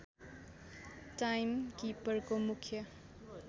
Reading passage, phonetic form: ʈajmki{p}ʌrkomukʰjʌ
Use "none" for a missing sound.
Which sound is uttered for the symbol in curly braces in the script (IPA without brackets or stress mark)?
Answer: p